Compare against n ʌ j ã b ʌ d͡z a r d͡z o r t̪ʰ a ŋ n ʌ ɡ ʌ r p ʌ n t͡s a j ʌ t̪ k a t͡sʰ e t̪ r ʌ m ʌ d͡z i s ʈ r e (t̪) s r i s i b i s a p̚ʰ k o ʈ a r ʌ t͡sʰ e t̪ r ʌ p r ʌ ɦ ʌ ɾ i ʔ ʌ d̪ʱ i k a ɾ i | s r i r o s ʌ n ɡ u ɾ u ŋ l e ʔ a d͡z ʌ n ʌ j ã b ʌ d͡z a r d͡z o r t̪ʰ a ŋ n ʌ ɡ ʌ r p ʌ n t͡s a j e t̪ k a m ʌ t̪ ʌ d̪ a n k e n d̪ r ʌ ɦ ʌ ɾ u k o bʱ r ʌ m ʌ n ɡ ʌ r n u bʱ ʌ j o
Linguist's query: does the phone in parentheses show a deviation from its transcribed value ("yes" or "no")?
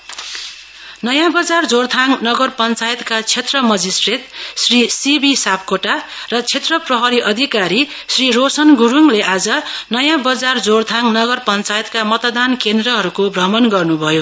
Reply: no